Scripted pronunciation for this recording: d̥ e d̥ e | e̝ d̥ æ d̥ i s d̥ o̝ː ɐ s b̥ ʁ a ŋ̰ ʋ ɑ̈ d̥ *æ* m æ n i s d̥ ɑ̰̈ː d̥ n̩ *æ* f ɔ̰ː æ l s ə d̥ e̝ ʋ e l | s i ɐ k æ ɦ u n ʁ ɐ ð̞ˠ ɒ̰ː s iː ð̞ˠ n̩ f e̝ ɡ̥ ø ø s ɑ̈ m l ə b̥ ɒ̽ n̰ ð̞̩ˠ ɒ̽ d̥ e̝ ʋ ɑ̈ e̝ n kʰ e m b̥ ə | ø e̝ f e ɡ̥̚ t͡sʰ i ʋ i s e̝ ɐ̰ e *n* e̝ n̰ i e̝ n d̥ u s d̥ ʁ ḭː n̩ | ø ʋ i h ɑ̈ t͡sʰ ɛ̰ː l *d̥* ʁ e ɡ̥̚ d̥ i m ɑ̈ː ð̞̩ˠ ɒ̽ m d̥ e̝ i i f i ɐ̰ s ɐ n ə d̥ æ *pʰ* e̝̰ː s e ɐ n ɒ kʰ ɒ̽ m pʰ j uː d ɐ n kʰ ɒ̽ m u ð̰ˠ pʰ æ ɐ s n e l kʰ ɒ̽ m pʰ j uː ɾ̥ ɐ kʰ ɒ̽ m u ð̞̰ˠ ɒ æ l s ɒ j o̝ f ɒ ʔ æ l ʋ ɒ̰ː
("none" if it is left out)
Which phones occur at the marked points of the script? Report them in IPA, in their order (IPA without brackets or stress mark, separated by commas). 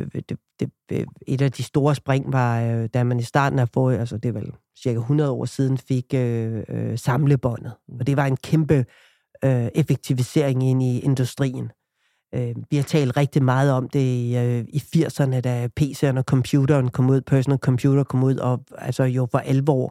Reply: æ, æ, ŋ, d̥, pʰ